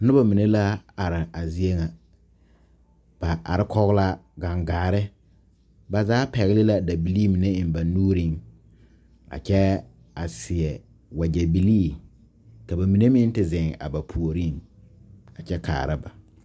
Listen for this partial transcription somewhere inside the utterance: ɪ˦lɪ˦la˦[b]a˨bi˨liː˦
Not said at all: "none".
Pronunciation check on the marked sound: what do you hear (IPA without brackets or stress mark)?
d